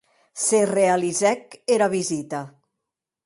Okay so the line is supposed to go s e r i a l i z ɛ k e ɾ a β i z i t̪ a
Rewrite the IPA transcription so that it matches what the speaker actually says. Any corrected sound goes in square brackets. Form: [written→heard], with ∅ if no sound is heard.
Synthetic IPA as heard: s e r [i→e] a l i z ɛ k e ɾ a β i z i t̪ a